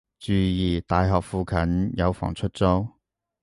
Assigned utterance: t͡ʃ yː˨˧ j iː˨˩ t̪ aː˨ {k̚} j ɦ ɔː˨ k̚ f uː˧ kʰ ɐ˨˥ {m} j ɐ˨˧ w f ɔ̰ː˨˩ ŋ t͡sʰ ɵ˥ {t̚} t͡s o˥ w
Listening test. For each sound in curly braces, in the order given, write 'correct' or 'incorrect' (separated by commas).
incorrect, incorrect, correct